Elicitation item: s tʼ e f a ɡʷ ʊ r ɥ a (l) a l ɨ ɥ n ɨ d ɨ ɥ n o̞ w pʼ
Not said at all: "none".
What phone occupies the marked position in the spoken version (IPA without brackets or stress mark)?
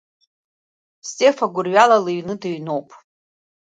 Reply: l